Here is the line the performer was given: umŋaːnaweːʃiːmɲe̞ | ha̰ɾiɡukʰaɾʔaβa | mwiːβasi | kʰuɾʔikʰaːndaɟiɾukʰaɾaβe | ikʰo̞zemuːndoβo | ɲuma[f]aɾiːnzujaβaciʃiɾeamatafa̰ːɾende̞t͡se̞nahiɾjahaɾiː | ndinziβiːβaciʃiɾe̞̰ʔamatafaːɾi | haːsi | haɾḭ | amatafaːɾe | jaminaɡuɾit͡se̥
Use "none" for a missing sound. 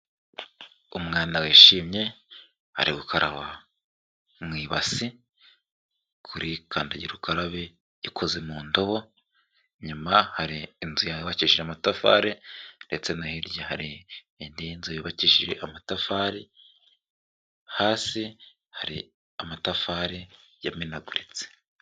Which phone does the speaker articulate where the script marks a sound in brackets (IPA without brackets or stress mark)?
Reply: h